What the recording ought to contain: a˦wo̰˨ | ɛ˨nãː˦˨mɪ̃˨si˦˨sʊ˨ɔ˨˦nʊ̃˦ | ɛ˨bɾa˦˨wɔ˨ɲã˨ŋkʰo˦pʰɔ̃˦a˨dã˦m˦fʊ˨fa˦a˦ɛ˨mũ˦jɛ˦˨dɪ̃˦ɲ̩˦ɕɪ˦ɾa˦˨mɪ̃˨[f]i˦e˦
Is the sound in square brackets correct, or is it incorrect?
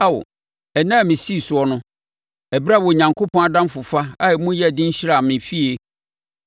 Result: correct